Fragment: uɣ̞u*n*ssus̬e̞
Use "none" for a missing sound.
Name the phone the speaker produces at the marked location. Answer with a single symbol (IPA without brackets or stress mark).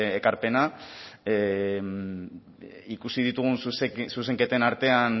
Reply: n